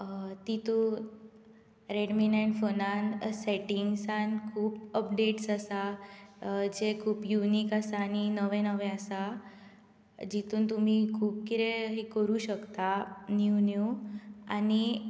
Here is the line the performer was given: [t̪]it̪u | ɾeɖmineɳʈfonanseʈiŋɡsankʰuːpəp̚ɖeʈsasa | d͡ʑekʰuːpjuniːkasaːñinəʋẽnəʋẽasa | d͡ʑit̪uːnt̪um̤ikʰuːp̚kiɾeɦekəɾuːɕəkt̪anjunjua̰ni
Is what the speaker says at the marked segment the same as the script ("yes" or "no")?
yes